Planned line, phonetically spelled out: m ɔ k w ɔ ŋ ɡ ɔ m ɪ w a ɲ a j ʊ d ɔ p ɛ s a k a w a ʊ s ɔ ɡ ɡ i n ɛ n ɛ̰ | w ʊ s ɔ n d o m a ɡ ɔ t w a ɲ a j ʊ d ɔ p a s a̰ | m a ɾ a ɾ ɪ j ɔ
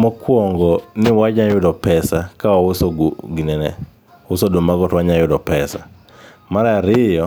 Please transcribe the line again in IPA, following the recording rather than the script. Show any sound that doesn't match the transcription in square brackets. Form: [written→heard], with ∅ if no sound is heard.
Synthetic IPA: m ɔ k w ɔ ŋ ɡ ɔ [m→n] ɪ w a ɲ a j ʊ d ɔ p ɛ s a k a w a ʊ s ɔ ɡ ɡ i n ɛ n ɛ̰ | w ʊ s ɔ [n→∅] d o m a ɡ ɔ t w a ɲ a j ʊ d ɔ p [a→ɛ] s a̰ | m a ɾ a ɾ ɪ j ɔ